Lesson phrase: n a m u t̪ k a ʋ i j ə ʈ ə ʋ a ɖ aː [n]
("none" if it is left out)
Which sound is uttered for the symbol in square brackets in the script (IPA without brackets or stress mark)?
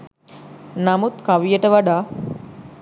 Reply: none